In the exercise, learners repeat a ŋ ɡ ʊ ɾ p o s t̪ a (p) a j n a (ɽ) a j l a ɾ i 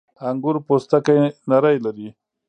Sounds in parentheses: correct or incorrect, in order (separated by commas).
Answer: incorrect, incorrect